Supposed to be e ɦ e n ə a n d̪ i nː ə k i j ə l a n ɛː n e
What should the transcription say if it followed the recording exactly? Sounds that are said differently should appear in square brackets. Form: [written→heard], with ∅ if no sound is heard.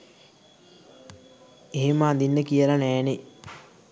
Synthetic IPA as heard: e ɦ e [n→m] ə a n d̪ i nː ə k i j ə l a n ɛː n e